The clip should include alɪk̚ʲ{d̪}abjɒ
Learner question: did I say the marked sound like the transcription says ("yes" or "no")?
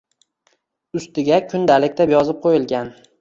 no